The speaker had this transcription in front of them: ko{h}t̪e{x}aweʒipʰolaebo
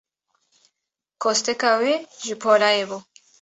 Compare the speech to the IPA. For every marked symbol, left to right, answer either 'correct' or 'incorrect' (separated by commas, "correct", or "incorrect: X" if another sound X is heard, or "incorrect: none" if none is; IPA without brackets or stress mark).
incorrect: s, incorrect: k